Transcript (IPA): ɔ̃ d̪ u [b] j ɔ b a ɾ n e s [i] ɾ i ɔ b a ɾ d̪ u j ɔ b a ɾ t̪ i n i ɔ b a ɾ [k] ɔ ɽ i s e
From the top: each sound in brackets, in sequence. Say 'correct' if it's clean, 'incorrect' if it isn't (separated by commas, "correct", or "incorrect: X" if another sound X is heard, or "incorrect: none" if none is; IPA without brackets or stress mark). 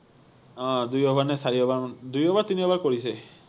incorrect: none, incorrect: a, correct